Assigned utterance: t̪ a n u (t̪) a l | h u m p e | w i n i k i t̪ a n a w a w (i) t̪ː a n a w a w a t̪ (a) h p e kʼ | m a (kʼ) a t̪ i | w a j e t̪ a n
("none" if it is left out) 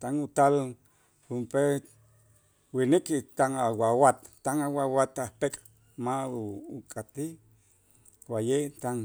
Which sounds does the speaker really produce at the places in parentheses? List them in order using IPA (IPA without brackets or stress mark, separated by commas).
t̪, a, a, kʼ